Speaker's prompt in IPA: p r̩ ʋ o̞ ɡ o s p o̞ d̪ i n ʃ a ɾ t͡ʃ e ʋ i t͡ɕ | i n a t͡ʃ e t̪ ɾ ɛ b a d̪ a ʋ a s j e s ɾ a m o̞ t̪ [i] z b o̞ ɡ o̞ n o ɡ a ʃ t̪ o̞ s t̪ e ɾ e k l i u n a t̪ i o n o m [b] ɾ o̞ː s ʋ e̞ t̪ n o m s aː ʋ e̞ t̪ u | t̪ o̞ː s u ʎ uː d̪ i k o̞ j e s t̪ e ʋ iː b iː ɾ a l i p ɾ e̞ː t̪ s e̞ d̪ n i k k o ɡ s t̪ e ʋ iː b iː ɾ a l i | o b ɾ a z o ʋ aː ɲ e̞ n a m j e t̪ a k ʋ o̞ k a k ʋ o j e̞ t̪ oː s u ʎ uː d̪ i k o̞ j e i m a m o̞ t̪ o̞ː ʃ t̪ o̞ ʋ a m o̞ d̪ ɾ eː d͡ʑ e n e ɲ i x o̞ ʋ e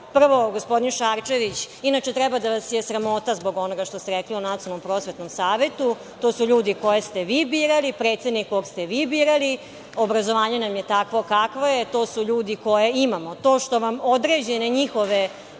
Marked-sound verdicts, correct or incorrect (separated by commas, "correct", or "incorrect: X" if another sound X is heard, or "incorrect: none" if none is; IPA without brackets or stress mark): incorrect: a, incorrect: p